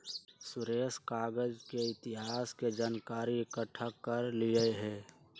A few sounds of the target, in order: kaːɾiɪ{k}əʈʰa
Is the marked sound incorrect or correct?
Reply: correct